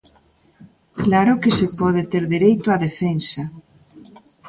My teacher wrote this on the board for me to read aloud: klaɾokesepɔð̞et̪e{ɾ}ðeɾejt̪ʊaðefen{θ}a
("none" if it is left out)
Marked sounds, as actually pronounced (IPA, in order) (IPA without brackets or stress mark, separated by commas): ɾ, s